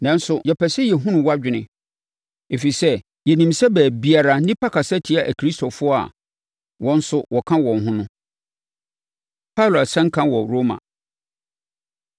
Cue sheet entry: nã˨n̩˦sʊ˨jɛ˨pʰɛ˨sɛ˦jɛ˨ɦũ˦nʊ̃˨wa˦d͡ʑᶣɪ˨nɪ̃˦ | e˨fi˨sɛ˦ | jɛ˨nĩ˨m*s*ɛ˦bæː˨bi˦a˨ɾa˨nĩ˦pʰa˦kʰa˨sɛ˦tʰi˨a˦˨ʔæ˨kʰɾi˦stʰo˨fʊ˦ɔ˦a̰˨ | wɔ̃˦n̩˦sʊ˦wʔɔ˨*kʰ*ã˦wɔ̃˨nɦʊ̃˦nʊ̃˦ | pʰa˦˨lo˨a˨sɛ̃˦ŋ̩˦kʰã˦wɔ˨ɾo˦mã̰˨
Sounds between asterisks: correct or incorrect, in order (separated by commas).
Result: correct, correct